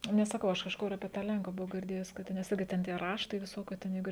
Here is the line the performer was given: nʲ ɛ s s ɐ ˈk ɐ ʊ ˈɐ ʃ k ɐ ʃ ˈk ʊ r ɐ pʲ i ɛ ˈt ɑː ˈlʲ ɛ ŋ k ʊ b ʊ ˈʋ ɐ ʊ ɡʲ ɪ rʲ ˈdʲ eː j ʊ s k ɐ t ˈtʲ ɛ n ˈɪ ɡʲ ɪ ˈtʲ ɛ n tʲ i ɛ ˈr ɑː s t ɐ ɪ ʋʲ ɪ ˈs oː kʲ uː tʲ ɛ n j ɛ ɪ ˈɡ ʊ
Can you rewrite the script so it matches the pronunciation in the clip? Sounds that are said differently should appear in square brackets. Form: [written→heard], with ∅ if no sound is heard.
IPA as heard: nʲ ɛ s s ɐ ˈk ɐ ʊ ˈɐ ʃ k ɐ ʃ ˈk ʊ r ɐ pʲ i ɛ ˈt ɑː ˈlʲ ɛ ŋ k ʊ b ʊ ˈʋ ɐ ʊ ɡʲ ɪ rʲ ˈdʲ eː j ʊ s k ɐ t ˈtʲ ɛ n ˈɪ ɡʲ ɪ ˈtʲ ɛ n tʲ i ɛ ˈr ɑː [s→ʃ] t ɐ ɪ ʋʲ ɪ ˈs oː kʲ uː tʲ ɛ n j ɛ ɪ ˈɡ ʊ